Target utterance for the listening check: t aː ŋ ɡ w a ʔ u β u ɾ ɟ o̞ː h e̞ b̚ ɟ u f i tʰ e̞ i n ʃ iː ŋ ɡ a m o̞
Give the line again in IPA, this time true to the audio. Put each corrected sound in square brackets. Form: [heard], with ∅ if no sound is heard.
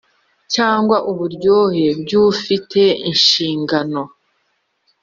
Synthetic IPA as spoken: [c] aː ŋ ɡ w a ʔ u β u ɾ ɟ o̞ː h e̞ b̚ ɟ u f i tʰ e̞ i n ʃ iː ŋ ɡ a [n] o̞